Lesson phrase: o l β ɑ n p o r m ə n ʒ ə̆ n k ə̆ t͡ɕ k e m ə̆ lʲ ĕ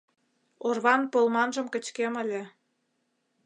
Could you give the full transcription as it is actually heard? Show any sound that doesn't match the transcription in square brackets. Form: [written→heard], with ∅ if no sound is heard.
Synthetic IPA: o [l→r] β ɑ n p o [r→l] m [ə→ɑ] n ʒ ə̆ [n→m] k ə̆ t͡ɕ k e m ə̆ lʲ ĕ